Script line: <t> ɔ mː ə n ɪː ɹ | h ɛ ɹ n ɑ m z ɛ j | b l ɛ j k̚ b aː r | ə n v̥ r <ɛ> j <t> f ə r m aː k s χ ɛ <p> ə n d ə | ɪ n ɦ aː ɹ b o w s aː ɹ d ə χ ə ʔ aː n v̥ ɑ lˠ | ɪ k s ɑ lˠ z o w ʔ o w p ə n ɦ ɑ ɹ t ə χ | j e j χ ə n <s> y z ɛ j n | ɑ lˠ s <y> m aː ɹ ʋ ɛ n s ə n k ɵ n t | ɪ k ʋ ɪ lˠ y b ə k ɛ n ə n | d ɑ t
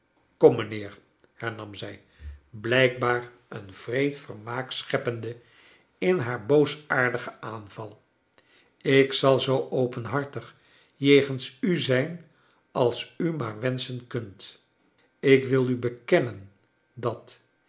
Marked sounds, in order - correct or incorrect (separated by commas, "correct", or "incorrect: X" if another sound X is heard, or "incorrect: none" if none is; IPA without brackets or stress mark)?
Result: incorrect: k, incorrect: e, correct, correct, correct, correct